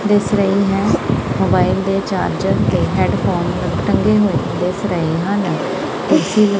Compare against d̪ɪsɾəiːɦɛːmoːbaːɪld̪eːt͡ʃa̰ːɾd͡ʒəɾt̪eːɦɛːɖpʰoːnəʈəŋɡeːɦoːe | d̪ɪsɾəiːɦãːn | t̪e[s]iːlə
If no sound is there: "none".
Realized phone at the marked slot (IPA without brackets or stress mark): s